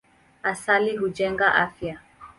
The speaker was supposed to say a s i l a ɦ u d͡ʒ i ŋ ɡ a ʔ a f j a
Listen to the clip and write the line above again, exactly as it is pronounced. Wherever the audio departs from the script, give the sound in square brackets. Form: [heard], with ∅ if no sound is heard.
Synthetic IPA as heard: a s [a] l [i] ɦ u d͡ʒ [ɛ] ŋ ɡ a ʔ a f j a